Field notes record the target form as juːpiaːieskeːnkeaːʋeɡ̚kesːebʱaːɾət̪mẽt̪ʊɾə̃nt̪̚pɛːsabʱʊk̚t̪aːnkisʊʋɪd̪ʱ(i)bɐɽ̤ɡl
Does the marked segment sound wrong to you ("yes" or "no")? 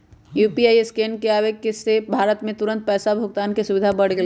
yes